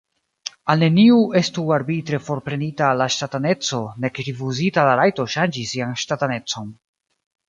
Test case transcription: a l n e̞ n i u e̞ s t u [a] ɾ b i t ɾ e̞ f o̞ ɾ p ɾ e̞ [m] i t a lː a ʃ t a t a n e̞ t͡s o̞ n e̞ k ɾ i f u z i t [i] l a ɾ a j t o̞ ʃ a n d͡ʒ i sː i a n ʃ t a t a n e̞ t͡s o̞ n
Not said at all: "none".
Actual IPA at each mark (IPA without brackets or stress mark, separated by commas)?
a, n, a